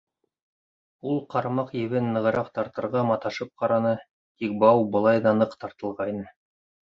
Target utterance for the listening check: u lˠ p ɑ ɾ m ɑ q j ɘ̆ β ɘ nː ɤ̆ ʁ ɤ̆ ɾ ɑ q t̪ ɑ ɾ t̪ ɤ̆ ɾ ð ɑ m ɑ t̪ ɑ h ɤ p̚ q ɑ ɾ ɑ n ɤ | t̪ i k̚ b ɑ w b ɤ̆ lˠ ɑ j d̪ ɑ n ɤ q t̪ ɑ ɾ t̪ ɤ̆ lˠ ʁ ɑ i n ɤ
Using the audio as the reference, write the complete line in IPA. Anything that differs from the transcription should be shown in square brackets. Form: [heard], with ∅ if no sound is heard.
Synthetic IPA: u lˠ [q] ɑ ɾ m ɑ q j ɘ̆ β ɘ nː ɤ̆ ʁ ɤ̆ ɾ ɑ q t̪ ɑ ɾ t̪ ɤ̆ ɾ [ʁ] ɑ m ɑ t̪ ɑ [ʃ] ɤ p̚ q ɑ ɾ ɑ n ɤ | t̪ i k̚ b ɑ w b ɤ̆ lˠ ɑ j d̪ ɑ n ɤ q t̪ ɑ ɾ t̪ ɤ̆ lˠ ʁ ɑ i n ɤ